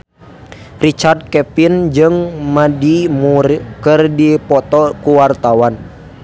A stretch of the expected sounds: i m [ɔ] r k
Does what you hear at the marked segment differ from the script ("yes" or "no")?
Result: yes